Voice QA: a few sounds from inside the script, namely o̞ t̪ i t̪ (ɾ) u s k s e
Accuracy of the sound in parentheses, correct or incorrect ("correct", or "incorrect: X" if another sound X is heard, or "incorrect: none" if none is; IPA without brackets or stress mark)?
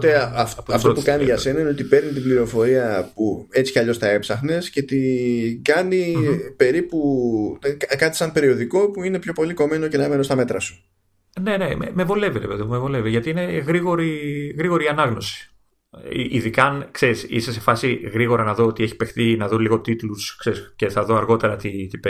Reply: incorrect: l